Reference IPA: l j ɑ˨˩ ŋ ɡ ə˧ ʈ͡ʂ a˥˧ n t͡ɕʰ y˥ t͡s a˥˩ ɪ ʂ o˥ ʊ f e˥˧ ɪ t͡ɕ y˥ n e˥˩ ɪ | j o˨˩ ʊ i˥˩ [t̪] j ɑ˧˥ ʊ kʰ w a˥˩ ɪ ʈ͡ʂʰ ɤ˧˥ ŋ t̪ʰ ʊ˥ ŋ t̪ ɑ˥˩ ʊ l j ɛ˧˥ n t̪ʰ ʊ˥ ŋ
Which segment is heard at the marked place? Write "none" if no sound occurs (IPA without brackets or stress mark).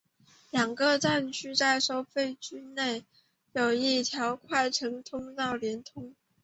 t̪ʰ